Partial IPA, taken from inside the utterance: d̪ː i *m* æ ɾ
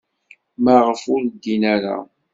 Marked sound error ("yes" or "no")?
yes